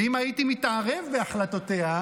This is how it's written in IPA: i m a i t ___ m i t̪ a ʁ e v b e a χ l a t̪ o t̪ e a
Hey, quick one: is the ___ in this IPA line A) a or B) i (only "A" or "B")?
B